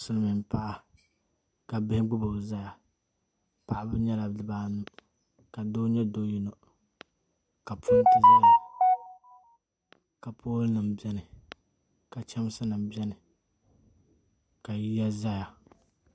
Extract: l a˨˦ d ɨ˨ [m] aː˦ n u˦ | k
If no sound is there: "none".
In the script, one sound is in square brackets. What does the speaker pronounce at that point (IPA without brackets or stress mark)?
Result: b